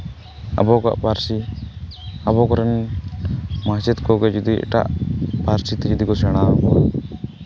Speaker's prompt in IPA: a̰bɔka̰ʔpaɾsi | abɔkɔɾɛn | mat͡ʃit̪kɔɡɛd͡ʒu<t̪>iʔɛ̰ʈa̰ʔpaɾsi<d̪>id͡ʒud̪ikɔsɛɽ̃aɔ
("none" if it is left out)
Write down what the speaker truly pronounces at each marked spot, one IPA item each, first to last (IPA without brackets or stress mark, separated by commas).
d̪, t̪